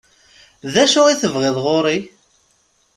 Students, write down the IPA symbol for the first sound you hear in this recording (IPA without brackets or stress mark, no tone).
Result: ð